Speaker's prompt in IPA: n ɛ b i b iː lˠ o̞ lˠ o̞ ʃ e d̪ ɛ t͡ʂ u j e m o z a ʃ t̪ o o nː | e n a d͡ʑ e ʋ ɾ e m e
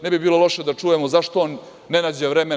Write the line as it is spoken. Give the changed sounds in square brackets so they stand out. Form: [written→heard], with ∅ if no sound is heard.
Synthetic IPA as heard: n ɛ b i b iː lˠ o̞ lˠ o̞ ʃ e d̪ [ɛ→a] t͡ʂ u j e m o z a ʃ t̪ o o nː | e n a d͡ʑ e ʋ ɾ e m e